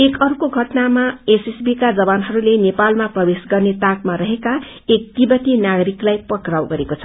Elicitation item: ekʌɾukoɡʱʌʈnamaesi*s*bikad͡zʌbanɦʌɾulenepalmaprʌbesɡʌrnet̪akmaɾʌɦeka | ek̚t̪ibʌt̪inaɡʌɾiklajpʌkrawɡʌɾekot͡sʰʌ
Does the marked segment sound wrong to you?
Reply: no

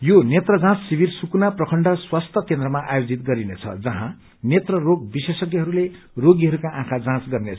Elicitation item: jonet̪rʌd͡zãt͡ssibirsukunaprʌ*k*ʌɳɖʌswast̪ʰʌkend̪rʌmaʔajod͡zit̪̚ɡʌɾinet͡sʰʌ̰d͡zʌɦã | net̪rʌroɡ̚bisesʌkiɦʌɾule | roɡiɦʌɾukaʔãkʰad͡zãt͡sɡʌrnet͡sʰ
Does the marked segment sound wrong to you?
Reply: yes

